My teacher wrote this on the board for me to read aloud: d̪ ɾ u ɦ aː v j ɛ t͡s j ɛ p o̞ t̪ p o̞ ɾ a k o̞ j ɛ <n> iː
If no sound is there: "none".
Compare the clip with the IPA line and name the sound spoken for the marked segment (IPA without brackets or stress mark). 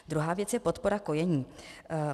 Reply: ɲ